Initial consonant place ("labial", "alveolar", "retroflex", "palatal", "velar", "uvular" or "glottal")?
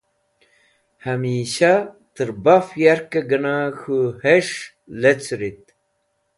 glottal